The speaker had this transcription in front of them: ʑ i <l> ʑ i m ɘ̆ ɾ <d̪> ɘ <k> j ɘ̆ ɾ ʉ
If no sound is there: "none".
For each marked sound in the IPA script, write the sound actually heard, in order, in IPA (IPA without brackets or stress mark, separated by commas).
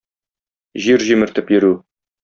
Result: ɾ, t̪, p